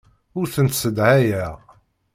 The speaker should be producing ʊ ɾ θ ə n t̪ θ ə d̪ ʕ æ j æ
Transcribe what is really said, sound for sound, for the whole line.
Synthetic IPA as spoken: ʊ ɾ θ ə n t̪ s ə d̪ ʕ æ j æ